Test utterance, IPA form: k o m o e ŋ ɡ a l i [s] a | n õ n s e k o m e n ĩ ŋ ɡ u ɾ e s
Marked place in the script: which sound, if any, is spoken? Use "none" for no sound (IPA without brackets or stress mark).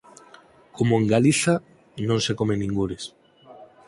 θ